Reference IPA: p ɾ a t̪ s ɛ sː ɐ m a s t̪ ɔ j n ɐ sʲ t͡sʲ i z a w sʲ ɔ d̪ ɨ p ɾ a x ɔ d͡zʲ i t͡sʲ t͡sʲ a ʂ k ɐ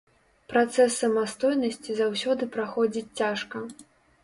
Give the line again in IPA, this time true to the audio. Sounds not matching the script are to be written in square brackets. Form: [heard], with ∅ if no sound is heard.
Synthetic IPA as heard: p ɾ a t̪ s ɛ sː ɐ m a s t̪ ɔ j n ɐ sʲ t͡sʲ i z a w sʲ ɔ d̪ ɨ p ɾ a x ɔ d͡zʲ i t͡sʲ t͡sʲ a ʂ k ɐ

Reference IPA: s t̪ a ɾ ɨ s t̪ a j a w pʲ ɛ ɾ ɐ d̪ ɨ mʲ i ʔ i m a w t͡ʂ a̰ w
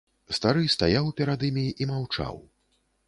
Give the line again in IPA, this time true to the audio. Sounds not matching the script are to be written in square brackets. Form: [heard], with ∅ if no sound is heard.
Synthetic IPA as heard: s t̪ a ɾ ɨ s t̪ a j a w pʲ ɛ ɾ [a] d̪ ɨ mʲ i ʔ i m a w t͡ʂ a̰ w

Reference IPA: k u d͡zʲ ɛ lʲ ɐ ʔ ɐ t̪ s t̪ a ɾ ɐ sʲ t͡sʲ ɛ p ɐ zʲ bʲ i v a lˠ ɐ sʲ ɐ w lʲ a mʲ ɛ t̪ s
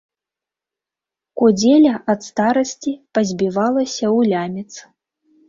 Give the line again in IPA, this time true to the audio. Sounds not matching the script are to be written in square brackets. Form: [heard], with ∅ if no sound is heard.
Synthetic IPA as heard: k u d͡zʲ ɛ lʲ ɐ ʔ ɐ t̪ s t̪ a ɾ ɐ sʲ t͡sʲ [i] p ɐ zʲ bʲ i v a lˠ ɐ sʲ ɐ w lʲ a mʲ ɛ t̪ s

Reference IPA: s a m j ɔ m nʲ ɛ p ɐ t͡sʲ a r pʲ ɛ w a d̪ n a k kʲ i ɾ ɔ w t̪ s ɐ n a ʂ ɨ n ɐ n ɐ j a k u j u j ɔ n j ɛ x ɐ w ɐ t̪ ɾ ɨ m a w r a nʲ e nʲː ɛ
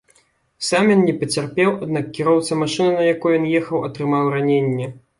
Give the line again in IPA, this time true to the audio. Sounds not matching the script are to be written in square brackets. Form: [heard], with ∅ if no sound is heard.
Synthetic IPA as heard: s a m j ɔ [n] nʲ ɛ p ɐ t͡sʲ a r pʲ ɛ w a d̪ n a k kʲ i ɾ ɔ w t̪ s ɐ [m] a ʂ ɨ n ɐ n ɐ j a k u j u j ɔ n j ɛ x ɐ w ɐ t̪ ɾ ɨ m a w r a nʲ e nʲː ɛ

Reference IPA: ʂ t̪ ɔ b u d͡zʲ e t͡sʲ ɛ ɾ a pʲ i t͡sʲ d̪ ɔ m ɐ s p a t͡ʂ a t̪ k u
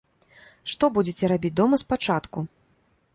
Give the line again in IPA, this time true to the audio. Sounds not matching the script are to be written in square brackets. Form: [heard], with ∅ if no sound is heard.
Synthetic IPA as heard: ʂ t̪ ɔ b u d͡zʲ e t͡sʲ ɛ ɾ a [bʲ] i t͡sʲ d̪ ɔ m ɐ s p a t͡ʂ a t̪ k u

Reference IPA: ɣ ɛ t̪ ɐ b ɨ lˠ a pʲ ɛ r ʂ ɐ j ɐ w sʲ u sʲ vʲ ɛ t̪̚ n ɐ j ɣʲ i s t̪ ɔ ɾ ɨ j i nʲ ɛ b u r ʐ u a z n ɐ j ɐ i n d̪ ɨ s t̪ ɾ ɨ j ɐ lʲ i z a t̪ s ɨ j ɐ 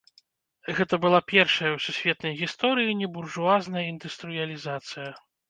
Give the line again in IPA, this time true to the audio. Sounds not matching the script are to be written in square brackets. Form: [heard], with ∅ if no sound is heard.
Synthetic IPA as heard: ɣ ɛ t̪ ɐ b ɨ lˠ a pʲ ɛ r ʂ ɐ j ɐ w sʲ u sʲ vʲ ɛ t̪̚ n ɐ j ɣʲ i s t̪ ɔ ɾ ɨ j i nʲ ɛ b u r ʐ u a z n ɐ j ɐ i n d̪ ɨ s t̪ ɾ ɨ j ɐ lʲ i z a t̪ s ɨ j ɐ

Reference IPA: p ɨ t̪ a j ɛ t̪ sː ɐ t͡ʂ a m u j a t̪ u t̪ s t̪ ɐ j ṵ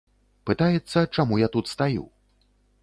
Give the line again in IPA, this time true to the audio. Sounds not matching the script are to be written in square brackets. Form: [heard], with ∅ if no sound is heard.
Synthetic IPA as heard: p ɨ t̪ a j ɛ t̪ sː ɐ t͡ʂ a m u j a t̪ u t̪ s t̪ [a] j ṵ

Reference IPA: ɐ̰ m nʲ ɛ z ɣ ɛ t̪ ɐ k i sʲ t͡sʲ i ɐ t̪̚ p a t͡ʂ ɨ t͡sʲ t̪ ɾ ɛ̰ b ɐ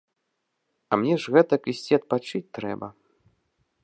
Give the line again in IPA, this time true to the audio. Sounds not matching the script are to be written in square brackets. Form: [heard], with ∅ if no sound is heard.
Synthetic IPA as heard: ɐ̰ m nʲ ɛ [ʐ] ɣ ɛ t̪ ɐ k i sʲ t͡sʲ i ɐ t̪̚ p a t͡ʂ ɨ t͡sʲ t̪ ɾ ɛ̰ b ɐ

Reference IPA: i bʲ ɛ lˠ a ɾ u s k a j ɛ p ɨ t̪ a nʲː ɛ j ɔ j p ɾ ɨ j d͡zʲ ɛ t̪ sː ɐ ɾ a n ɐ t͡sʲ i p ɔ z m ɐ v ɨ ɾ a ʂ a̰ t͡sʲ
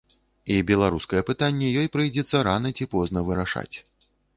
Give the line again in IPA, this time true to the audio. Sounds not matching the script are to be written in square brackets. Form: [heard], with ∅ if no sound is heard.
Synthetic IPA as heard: i bʲ ɛ lˠ a ɾ u s k [ɐ] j ɛ p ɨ t̪ a nʲː ɛ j ɔ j p ɾ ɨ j d͡zʲ ɛ t̪ sː ɐ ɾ a n ɐ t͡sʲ i p ɔ z [n] ɐ v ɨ ɾ a ʂ a̰ t͡sʲ

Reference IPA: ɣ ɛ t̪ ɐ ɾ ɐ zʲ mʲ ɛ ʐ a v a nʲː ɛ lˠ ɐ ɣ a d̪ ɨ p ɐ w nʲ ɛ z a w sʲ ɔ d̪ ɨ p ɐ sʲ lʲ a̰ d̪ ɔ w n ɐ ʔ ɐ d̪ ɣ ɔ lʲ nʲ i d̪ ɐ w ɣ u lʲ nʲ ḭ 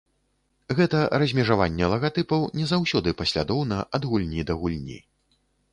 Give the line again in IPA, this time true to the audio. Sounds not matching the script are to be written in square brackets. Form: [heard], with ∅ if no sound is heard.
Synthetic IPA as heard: ɣ ɛ t̪ ɐ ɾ ɐ zʲ mʲ ɛ ʐ a v a nʲː ɛ lˠ ɐ ɣ a [t̪] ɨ p ɐ w nʲ ɛ z a w sʲ ɔ d̪ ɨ p ɐ sʲ lʲ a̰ d̪ ɔ w n ɐ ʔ ɐ d̪ ɣ [u] lʲ nʲ i d̪ ɐ [∅] ɣ u lʲ nʲ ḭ

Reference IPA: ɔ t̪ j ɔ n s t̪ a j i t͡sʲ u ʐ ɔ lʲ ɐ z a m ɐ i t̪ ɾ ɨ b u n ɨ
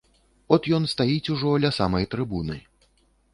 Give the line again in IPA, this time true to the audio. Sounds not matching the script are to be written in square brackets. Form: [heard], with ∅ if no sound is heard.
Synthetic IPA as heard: ɔ t̪ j ɔ n s t̪ a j i t͡sʲ u ʐ ɔ lʲ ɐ [s] a m ɐ [j] t̪ ɾ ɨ b u n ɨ

